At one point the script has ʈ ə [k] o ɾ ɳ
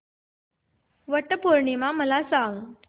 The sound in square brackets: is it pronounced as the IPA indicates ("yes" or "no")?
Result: no